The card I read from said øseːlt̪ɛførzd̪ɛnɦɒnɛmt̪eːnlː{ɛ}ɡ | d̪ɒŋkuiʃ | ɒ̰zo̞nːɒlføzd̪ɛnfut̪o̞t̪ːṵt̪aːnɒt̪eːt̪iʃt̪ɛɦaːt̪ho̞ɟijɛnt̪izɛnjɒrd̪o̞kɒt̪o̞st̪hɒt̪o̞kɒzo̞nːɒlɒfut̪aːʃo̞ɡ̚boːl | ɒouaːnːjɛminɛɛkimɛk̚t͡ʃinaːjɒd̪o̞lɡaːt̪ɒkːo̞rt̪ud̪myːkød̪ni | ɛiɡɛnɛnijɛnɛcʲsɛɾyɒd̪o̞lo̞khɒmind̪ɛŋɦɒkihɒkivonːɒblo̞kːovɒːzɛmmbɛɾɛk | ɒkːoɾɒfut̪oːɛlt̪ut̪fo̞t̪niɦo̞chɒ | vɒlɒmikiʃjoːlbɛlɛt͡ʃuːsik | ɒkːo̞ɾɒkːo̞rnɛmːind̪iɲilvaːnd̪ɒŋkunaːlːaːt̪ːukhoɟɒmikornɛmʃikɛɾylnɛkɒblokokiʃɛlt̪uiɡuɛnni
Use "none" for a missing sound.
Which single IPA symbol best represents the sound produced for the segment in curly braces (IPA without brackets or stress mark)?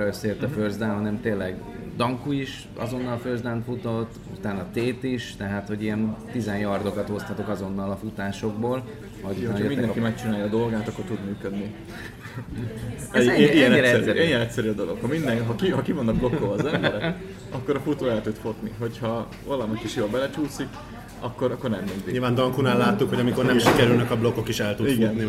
ɛ